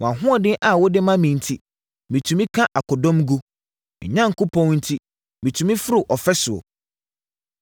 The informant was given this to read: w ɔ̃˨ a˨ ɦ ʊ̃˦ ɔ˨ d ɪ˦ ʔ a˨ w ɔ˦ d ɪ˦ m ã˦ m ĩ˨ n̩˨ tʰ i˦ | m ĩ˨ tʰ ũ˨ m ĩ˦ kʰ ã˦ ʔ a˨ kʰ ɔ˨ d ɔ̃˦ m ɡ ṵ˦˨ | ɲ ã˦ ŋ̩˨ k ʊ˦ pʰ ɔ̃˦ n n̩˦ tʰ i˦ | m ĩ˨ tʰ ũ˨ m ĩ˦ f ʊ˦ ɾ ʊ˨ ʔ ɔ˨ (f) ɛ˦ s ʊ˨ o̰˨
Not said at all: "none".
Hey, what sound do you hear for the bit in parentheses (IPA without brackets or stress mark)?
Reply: f